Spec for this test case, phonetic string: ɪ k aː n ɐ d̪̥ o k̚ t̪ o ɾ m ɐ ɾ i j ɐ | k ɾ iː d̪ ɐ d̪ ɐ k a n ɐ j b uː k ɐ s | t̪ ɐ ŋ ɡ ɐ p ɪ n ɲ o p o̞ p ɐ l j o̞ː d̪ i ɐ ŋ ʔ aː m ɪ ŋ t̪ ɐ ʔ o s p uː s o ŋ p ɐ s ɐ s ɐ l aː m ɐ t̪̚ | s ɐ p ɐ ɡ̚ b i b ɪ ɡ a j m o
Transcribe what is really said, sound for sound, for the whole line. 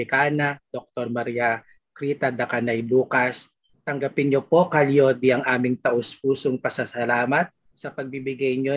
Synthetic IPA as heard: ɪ k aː n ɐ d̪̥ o k̚ t̪ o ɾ m ɐ ɾ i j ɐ | k ɾ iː t̪ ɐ d̪ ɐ k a n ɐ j b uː k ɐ s | t̪ ɐ ŋ ɡ ɐ p ɪ n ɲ o p o̞ k ɐ l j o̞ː d̪ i ɐ ŋ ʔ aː m ɪ ŋ t̪ ɐ ʔ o s p uː s o ŋ p ɐ s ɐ s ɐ l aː m ɐ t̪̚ | s ɐ p ɐ ɡ̚ b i b ɪ ɡ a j ɲ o